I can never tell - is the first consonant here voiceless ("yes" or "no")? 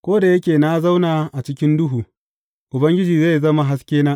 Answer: yes